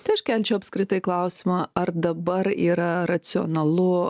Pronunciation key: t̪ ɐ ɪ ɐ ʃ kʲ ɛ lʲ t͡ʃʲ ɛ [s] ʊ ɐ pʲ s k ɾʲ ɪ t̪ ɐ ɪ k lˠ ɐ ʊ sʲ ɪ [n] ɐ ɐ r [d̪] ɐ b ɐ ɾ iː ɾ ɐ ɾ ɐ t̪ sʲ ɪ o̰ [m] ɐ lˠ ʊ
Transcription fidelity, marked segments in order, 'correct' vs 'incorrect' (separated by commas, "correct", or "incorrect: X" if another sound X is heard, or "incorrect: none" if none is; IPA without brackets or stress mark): incorrect: none, incorrect: m, correct, incorrect: n